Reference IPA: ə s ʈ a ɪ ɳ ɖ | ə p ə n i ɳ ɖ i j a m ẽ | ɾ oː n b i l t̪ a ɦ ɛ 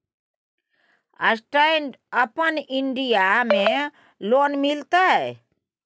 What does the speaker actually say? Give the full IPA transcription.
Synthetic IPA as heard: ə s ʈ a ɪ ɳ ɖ | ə p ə n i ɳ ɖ i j a m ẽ | l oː n m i l t̪ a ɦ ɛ